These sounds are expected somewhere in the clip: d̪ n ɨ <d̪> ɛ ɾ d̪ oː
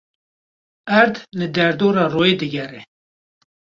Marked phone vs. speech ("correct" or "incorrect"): correct